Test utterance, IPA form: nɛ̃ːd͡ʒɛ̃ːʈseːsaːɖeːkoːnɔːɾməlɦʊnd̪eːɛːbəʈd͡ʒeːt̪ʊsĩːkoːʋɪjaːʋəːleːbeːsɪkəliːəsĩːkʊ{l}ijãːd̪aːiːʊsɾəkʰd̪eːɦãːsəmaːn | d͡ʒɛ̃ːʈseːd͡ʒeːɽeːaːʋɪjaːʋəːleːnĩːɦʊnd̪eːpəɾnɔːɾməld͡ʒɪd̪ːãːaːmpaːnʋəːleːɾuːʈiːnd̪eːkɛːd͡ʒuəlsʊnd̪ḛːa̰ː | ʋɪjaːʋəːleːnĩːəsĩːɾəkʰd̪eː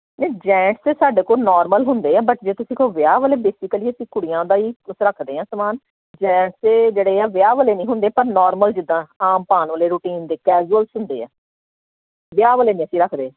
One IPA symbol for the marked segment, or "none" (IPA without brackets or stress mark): ɽ